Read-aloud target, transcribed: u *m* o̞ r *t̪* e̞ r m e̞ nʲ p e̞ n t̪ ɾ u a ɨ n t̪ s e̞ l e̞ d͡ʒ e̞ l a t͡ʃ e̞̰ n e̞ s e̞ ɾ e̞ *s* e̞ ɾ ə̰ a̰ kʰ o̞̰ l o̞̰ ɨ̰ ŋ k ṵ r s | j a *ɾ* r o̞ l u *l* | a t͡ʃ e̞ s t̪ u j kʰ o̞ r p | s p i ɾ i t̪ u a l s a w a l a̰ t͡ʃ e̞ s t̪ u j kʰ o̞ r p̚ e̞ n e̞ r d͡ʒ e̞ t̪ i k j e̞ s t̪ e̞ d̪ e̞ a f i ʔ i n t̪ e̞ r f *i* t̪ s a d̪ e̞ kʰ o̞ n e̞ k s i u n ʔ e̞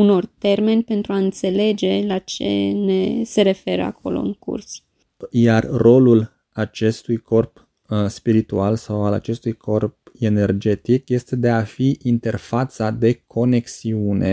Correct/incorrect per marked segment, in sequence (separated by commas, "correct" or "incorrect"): incorrect, correct, incorrect, incorrect, correct, incorrect